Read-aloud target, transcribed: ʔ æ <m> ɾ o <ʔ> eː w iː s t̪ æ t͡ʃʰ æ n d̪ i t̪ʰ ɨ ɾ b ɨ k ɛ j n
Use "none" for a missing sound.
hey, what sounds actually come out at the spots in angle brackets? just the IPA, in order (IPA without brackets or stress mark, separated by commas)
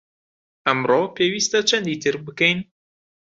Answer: m, p